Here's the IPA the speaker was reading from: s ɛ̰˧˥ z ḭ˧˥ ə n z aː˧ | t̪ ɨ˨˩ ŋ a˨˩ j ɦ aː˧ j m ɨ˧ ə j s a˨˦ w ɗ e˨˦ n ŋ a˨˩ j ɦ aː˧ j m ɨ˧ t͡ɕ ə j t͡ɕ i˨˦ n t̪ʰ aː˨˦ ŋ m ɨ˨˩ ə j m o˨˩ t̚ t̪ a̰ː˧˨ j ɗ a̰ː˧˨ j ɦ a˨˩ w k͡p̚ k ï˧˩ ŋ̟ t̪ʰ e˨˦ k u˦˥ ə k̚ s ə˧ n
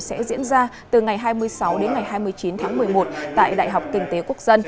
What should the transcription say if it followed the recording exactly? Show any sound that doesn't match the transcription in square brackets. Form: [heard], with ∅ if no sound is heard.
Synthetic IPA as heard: s ɛ̰˧˥ z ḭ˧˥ ə n z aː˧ | t̪ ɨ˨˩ ŋ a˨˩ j ɦ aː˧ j m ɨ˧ ə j s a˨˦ w ɗ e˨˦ n ŋ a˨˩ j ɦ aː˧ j m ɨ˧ [∅] ə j t͡ɕ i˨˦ n t̪ʰ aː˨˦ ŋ m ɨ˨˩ ə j m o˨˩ t̚ t̪ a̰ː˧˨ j ɗ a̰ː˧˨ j ɦ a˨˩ w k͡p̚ k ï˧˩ ŋ̟ [t̪] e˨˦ k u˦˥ ə k̚ [z] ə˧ n